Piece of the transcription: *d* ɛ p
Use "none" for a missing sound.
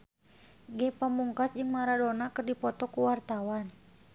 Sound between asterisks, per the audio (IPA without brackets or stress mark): ɡ